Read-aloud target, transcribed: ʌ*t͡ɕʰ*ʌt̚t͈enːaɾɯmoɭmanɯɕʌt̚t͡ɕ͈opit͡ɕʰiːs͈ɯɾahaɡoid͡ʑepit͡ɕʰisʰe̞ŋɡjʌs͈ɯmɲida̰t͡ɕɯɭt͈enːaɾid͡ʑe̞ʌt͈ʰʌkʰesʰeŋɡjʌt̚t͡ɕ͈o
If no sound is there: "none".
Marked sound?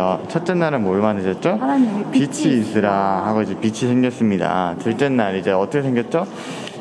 t͡ɕʰ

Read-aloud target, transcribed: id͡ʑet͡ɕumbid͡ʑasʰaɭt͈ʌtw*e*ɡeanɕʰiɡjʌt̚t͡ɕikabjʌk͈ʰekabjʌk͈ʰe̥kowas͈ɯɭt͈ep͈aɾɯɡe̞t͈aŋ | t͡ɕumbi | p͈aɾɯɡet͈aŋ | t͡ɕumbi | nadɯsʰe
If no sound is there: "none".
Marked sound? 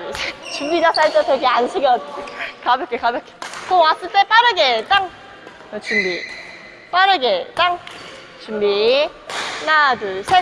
e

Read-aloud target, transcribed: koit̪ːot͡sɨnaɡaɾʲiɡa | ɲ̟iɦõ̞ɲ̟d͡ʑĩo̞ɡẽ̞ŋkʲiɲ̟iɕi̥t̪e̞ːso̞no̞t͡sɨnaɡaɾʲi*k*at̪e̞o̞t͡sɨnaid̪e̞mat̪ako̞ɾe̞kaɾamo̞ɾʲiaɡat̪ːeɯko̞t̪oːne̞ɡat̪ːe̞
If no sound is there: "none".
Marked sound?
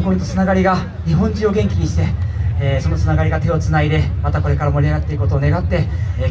ɡ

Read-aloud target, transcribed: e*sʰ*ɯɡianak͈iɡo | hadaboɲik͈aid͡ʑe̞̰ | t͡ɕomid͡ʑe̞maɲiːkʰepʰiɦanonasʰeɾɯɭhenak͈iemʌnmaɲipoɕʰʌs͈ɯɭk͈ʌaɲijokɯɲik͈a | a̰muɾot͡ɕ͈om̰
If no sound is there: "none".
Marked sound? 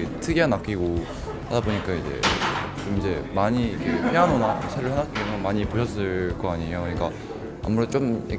tʰ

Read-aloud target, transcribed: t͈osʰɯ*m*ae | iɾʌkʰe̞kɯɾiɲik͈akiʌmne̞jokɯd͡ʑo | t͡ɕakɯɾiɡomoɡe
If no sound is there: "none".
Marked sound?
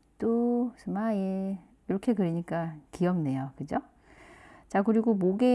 m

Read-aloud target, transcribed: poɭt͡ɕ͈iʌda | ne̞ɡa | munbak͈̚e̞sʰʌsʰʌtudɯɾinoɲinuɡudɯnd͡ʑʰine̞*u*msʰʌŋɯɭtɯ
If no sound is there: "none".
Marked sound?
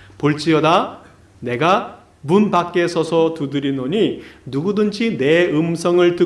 ɯ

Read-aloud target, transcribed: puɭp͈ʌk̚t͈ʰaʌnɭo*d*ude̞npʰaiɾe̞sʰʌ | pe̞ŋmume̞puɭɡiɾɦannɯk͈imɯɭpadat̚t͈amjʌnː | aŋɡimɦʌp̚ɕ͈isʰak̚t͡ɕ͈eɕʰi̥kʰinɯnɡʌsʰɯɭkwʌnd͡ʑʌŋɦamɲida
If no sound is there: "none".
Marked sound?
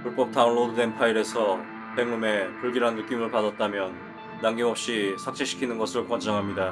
d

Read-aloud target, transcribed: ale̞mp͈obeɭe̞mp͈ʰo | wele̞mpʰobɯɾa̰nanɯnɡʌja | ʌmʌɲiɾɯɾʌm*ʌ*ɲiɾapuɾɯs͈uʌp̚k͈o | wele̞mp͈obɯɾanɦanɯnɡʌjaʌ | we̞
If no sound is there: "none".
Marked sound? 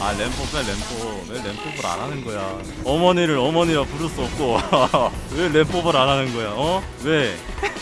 ʌ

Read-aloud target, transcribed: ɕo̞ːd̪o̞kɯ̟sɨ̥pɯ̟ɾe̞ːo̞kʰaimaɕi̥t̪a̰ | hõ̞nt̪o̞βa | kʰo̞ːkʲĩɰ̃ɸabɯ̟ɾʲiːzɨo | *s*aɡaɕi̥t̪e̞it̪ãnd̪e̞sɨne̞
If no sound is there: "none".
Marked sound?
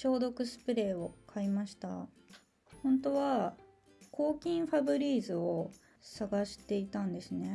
s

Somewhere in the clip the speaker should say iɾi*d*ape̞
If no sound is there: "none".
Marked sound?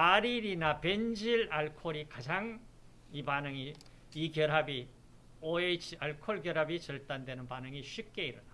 n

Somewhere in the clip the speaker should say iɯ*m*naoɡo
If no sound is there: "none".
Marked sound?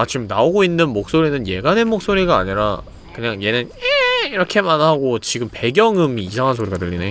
m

